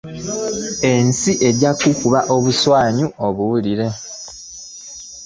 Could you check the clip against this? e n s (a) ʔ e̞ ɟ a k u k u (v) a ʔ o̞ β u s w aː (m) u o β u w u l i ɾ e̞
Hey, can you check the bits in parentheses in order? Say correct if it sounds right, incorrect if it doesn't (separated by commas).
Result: incorrect, incorrect, incorrect